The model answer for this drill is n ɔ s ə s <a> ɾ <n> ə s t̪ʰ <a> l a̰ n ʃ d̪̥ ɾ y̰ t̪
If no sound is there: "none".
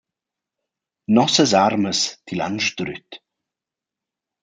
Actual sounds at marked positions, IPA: a, m, i

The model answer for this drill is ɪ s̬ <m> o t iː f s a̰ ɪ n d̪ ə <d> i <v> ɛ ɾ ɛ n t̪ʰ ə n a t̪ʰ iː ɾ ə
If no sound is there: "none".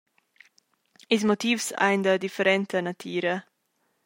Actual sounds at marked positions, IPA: m, d, f

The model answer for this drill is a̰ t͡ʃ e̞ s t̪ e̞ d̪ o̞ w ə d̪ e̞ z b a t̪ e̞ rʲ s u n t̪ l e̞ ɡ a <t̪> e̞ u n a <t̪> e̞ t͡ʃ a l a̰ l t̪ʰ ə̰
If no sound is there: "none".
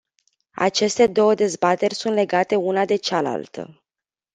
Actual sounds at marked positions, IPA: t̪, d̪

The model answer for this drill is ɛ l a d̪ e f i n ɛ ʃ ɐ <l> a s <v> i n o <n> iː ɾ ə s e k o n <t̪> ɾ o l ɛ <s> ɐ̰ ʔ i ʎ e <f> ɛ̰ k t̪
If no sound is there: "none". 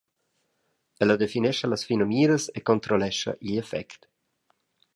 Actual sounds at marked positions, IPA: l, f, m, t̪, ʃ, f

